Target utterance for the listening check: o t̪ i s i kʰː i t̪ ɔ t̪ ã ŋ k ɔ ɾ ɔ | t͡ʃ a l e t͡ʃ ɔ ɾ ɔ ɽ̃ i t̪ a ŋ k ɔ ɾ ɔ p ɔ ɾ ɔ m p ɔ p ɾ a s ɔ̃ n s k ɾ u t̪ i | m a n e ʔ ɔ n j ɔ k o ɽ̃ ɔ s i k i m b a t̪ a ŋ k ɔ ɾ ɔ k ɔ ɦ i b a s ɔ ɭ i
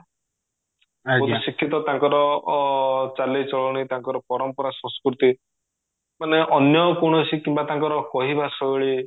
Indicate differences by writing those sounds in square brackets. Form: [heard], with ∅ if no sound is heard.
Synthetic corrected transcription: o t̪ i s i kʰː i t̪ ɔ t̪ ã ŋ k ɔ ɾ ɔ | t͡ʃ a l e t͡ʃ ɔ [ɭ] ɔ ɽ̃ i t̪ a ŋ k ɔ ɾ ɔ p ɔ ɾ ɔ m p ɔ [∅] ɾ a s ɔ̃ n s k ɾ u t̪ i | m a n e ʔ ɔ n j ɔ k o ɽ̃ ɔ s i k i m b a t̪ a ŋ k ɔ ɾ ɔ k ɔ ɦ i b a s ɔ ɭ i